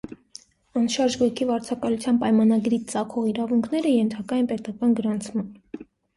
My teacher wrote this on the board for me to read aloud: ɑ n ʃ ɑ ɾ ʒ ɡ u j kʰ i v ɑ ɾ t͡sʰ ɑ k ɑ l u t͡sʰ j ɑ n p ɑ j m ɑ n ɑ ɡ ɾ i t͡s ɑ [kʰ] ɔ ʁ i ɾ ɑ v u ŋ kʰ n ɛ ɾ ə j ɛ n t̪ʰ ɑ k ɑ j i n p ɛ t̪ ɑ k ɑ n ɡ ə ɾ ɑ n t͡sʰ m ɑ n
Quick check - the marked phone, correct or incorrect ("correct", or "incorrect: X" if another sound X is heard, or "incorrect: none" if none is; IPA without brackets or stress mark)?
correct